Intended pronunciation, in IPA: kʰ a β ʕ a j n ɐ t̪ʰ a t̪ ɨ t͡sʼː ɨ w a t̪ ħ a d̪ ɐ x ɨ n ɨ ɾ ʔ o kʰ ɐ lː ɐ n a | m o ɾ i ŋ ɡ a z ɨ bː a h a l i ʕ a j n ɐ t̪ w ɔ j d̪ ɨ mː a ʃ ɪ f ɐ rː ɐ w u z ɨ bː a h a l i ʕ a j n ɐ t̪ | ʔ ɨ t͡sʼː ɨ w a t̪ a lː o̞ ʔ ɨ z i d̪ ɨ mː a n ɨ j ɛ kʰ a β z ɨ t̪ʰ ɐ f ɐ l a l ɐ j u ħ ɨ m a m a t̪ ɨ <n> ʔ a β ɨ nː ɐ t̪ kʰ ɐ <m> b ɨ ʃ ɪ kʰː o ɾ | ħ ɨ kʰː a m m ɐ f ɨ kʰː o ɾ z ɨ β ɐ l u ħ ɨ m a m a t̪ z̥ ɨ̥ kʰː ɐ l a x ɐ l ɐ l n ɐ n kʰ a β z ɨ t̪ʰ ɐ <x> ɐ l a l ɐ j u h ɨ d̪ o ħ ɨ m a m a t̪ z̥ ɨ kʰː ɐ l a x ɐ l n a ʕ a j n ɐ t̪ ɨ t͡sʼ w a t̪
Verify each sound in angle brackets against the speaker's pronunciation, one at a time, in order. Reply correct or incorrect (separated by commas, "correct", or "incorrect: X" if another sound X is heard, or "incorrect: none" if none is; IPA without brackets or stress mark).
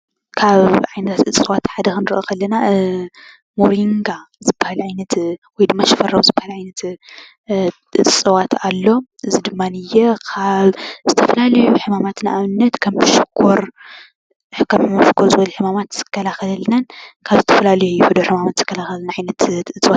correct, correct, incorrect: f